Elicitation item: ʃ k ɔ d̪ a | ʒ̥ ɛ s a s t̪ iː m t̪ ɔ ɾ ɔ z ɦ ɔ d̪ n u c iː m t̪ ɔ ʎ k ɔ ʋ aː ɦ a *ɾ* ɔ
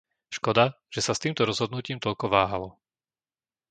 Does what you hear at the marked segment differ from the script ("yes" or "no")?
yes